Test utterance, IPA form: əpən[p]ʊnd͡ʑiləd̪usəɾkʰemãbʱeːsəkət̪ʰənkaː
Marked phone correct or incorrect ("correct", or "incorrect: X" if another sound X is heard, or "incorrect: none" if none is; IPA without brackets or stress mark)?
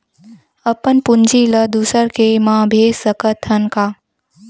correct